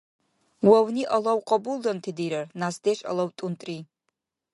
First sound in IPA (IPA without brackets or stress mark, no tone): w